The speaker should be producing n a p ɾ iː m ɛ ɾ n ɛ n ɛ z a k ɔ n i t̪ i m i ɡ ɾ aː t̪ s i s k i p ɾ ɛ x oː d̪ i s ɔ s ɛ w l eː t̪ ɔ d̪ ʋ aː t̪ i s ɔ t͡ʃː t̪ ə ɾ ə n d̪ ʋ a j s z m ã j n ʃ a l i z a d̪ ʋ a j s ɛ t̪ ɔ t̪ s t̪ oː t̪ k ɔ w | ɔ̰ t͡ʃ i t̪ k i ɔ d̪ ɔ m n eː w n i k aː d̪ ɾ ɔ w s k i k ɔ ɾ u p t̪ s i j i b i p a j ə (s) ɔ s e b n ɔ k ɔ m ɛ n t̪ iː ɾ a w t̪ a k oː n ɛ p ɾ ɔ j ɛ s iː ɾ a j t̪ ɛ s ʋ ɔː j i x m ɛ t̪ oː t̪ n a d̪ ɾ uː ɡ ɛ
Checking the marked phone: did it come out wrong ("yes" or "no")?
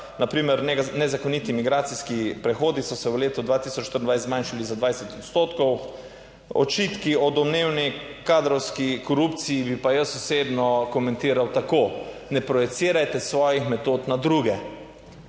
no